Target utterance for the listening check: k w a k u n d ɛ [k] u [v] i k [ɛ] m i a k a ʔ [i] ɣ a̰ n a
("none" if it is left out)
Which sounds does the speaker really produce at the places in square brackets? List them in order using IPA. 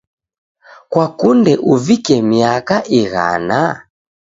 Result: ʔ, v, ɛ, i

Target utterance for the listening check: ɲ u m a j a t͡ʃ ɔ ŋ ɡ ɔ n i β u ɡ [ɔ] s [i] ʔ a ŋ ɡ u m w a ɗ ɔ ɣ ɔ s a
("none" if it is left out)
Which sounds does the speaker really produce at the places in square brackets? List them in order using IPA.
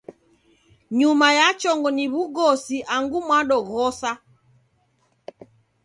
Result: ɔ, i

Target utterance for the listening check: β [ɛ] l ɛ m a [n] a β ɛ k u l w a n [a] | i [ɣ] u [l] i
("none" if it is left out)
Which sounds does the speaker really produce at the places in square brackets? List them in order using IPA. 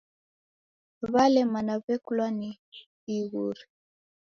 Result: a, n, i, ɣ, ɾ

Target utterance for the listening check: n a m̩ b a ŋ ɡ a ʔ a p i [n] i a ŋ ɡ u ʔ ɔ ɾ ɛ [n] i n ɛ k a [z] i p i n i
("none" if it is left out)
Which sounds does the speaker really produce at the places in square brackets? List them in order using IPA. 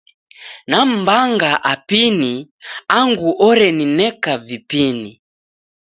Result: n, n, v

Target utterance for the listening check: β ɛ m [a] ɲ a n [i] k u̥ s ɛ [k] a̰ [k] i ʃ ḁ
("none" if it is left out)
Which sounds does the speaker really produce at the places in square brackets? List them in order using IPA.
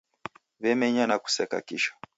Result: ɛ, a, k, k

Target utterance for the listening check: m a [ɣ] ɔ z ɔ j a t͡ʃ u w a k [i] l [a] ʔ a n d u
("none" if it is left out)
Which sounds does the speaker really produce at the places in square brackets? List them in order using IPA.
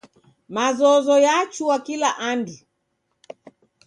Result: z, i, a

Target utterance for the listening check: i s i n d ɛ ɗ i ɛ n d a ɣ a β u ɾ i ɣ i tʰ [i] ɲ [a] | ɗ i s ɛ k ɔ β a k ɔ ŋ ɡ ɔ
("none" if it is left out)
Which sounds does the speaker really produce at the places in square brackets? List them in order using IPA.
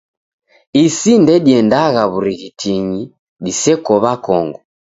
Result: i, i

